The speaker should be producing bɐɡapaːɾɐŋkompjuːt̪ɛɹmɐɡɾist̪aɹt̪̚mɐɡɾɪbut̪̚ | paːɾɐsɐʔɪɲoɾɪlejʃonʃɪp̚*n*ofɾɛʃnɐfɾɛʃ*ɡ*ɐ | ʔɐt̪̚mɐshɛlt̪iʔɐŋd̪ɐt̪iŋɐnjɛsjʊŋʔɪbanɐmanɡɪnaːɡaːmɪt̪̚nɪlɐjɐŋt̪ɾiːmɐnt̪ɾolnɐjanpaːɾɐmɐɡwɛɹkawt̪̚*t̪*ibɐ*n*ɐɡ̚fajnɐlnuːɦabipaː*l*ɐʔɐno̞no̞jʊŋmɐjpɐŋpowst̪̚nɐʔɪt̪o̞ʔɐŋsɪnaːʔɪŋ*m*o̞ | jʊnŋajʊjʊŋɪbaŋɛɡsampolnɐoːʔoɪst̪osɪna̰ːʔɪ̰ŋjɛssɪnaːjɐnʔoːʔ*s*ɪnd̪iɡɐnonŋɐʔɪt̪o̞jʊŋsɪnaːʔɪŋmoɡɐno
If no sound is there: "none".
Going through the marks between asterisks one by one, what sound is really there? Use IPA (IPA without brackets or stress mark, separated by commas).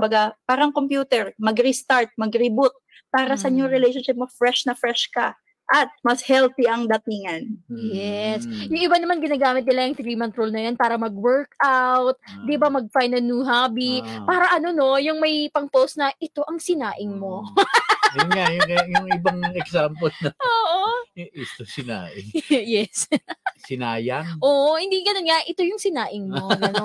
m, k, d̪, m, ɾ, m, h